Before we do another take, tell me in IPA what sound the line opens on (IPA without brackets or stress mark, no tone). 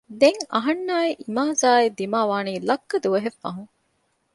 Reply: d̪